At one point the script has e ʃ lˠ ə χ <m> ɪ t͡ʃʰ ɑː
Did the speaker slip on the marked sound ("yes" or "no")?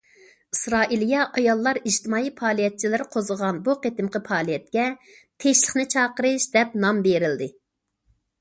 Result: yes